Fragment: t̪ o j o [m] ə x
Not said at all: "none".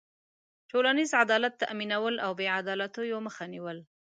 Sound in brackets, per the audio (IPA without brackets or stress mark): m